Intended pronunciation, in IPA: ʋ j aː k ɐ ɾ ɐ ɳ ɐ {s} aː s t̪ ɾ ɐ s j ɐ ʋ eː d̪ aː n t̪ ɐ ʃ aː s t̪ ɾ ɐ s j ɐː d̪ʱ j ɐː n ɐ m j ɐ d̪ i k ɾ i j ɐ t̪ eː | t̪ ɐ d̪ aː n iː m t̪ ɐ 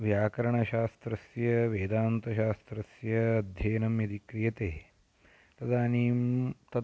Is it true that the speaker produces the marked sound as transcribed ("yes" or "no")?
no